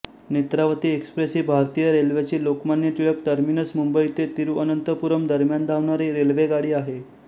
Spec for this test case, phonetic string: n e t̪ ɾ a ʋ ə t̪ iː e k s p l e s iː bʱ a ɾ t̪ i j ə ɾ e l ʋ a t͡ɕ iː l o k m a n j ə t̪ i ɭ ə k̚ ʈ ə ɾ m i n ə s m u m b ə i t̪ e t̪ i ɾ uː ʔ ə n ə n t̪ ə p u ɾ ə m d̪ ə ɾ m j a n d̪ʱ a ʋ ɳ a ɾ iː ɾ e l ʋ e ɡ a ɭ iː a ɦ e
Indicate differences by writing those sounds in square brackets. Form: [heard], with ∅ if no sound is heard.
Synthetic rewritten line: n e t̪ ɾ a ʋ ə t̪ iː e k s p [ɾ] e s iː bʱ a ɾ t̪ i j ə ɾ e l ʋ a t͡ɕ iː l o k m a n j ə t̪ i ɭ ə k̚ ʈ ə ɾ m i n ə s m u m b ə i t̪ e t̪ i ɾ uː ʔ ə n ə n t̪ ə p u ɾ ə m d̪ ə ɾ m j a n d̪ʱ a ʋ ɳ a ɾ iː ɾ e l ʋ e ɡ a [ɽ] iː a ɦ e